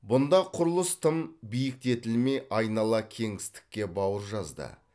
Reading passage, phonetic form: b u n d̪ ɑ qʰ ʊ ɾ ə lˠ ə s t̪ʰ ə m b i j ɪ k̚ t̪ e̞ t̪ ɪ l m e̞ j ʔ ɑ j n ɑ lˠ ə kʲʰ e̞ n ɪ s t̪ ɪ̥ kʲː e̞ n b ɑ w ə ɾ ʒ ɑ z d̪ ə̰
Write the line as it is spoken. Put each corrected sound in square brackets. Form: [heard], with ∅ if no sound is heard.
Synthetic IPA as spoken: b [ʊ] n d̪ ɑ qʰ ʊ ɾ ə lˠ ə s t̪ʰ ə m b i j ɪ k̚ t̪ e̞ t̪ ɪ l m e̞ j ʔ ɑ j n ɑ lˠ [ɑ] kʲʰ e̞ [ŋ] ɪ s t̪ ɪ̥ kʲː e̞ [∅] b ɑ w ə ɾ ʒ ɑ z d̪ ə̰